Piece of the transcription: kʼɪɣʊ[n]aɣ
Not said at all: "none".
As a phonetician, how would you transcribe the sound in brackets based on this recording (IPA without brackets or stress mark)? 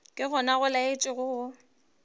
n